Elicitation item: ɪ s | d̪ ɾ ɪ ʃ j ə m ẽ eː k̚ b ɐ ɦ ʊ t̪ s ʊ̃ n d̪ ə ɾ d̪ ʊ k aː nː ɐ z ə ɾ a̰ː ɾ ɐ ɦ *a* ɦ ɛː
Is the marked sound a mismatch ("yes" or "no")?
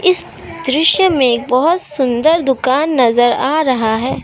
no